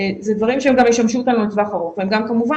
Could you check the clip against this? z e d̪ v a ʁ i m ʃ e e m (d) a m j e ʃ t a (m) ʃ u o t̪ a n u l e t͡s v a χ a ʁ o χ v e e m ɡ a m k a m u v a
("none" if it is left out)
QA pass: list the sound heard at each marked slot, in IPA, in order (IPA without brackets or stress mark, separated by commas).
ɡ, m